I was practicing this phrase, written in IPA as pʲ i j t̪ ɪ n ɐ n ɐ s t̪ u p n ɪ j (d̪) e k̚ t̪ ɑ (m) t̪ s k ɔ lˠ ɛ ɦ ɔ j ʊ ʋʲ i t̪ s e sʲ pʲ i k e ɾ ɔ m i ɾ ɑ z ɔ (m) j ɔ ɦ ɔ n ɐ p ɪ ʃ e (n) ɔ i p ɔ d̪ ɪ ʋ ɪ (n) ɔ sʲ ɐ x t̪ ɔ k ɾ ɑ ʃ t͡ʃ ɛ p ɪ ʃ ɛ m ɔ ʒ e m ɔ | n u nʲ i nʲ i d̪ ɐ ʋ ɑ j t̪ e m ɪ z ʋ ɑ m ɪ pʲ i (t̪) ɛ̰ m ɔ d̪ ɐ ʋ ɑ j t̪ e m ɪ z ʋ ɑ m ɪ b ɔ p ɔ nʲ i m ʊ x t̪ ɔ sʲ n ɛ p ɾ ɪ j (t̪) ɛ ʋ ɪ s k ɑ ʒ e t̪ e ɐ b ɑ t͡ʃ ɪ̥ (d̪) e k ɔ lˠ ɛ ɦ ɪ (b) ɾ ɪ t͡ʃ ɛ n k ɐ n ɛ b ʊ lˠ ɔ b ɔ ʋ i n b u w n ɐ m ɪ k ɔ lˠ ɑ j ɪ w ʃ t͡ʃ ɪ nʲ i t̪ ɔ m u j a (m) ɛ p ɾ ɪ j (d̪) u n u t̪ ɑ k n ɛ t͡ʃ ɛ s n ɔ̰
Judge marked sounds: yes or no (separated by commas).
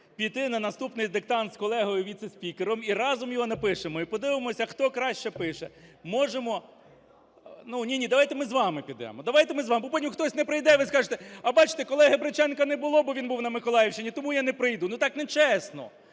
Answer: yes, no, yes, no, no, no, no, no, yes, no, yes